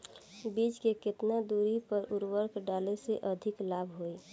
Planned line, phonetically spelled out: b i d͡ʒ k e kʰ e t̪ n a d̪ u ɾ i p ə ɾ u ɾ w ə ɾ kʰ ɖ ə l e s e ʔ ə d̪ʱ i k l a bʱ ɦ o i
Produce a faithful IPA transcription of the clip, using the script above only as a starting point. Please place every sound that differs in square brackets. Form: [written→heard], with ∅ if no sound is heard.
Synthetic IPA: b i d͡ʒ k e [kʰ→k] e t̪ n a d̪ u ɾ i p ə ɾ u ɾ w ə ɾ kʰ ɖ [ə→a] l e s e ʔ ə d̪ʱ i k l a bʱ ɦ o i